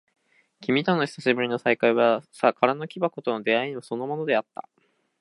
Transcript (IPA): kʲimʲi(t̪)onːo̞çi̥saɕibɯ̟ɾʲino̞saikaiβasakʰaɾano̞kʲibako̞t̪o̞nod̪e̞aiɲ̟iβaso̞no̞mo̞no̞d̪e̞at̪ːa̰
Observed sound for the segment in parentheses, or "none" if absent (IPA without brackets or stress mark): t̪